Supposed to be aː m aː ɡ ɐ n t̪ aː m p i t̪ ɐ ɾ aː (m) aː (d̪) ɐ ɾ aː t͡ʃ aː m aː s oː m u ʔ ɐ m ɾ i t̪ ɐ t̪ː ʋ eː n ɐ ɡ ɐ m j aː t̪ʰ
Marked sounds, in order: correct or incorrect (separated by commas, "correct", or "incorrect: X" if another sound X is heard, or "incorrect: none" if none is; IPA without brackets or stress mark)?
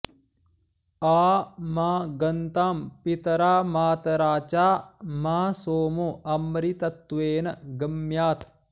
correct, incorrect: t̪